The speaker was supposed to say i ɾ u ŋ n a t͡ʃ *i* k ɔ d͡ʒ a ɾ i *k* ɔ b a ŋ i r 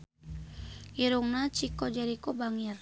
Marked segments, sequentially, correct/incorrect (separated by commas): correct, correct